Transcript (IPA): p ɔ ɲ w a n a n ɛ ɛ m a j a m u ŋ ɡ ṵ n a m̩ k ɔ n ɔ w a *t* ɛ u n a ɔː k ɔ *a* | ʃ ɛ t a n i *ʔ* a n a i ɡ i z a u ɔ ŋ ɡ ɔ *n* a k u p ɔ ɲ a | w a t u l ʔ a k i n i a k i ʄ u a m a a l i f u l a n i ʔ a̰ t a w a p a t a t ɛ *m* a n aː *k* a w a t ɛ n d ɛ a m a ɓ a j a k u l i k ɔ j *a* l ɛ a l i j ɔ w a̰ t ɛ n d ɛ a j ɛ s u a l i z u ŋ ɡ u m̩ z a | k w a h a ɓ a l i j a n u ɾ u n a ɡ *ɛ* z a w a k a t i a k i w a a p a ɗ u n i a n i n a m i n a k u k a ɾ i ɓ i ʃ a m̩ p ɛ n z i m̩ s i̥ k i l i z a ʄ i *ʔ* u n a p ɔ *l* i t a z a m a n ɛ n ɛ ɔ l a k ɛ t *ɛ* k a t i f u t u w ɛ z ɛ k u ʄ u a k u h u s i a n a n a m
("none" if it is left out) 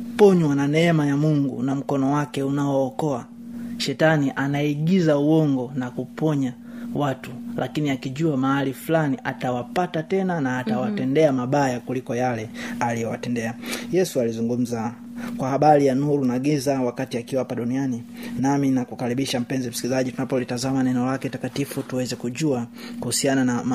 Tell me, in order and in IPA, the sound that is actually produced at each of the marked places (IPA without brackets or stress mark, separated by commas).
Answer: k, a, ʔ, n, n, t, a, i, t, l, a